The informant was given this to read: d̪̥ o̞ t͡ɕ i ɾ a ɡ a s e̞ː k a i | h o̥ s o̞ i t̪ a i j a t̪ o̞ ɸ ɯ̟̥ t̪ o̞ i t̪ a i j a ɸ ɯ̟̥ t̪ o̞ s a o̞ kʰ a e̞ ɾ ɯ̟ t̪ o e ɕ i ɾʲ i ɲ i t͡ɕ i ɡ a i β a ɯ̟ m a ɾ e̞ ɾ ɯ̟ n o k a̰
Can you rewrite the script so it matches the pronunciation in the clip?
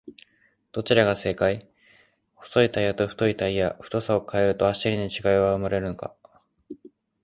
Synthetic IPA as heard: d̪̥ o̞ t͡ɕ i ɾ a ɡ a s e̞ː k a i | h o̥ s o̞ i t̪ a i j a t̪ o̞ ɸ ɯ̟̥ t̪ o̞ i t̪ a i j a ɸ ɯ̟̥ t̪ o̞ s a o̞ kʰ a e̞ ɾ ɯ̟ t̪ o a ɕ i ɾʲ i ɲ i t͡ɕ i ɡ a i β a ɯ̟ m a ɾ e̞ ɾ ɯ̟ n o k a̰